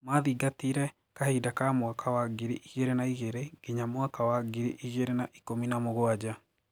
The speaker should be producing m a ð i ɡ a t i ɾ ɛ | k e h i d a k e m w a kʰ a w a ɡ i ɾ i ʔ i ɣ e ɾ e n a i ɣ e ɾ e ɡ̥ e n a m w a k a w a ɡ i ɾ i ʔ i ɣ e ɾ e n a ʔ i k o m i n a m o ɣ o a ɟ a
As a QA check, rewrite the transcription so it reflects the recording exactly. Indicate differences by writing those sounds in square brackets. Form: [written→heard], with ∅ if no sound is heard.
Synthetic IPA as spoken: m a ð i ɡ a t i ɾ ɛ | k [e→a] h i d a k [e→a] m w a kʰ a w a ɡ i ɾ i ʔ i ɣ e ɾ e n a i ɣ e ɾ e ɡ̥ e [n→ɲ] a m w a k a w a ɡ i ɾ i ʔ i ɣ e ɾ e n a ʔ i k o m i n a m o ɣ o a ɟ a